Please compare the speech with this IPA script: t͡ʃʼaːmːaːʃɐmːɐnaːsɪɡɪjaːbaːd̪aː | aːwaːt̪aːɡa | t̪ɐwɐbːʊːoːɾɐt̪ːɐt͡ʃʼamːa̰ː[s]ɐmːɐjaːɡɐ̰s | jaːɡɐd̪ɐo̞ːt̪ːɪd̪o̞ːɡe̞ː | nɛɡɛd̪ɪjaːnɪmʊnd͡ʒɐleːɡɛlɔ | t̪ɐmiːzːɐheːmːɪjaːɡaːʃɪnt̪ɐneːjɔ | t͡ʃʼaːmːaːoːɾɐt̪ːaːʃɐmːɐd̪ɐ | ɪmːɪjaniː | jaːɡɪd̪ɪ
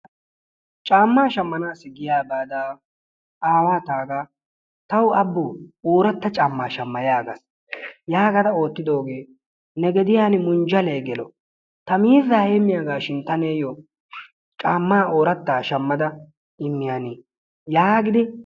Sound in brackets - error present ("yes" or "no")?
yes